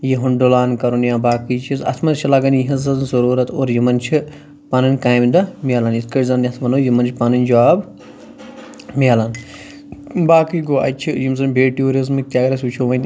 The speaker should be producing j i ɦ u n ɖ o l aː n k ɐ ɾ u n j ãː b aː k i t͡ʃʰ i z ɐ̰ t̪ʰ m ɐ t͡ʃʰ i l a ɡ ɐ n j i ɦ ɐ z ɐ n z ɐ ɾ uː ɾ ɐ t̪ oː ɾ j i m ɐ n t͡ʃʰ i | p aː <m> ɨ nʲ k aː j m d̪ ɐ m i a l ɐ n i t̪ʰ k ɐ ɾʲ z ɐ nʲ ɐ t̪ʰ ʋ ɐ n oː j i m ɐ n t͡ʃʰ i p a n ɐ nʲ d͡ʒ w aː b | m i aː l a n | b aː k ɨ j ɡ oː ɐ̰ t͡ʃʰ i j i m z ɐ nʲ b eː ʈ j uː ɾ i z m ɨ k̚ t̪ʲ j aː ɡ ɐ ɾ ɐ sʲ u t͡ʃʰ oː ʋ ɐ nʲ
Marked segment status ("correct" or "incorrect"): incorrect